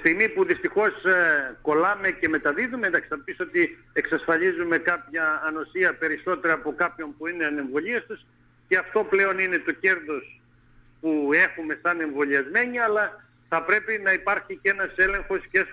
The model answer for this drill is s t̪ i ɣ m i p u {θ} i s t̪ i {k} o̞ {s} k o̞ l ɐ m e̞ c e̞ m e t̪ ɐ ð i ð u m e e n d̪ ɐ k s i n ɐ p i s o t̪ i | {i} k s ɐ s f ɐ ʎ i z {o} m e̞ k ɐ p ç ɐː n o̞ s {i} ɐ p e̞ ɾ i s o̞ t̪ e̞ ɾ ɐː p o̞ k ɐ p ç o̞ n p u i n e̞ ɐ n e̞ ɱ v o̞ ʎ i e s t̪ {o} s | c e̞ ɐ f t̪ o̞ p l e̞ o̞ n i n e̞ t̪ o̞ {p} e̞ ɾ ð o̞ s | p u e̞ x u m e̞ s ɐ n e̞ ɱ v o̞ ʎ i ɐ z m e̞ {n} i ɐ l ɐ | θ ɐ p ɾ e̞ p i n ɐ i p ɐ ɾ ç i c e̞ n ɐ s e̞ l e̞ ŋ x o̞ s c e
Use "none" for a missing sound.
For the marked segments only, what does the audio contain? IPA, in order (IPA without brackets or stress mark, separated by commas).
ð, x, s, e, u, i, u, c, ɲ